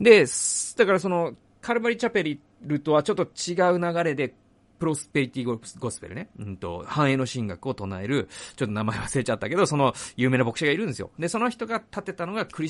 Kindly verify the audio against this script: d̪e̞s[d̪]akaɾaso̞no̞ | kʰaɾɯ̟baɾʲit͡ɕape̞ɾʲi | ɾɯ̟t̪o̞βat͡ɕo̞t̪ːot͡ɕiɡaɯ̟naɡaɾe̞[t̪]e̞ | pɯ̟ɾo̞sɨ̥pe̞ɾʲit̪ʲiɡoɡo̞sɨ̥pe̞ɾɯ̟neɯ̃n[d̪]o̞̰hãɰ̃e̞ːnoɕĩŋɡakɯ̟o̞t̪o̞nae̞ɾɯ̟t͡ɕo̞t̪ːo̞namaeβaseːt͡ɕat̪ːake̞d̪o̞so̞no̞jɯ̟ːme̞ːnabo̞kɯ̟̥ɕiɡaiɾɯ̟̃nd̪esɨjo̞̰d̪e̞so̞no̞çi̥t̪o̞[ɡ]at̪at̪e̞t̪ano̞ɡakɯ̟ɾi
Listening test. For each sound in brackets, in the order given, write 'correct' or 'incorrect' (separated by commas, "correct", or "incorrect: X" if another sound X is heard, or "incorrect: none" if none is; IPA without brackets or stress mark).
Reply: correct, incorrect: d̪, incorrect: t̪, correct